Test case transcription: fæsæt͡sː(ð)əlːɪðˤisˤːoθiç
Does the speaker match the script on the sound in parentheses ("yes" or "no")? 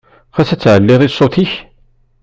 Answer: no